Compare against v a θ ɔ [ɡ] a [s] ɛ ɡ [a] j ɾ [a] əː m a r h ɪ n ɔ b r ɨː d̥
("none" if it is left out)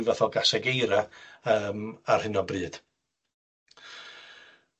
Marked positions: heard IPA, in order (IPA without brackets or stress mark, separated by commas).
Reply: ɡ, s, e, a